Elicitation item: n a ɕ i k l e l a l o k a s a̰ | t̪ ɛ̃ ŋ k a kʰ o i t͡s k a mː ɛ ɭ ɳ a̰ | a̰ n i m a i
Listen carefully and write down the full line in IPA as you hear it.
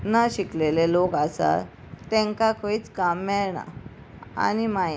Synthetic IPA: n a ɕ i k l e l e l o k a s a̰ | t̪ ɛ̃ ŋ k a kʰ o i t͡s k a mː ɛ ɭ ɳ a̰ | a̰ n i m a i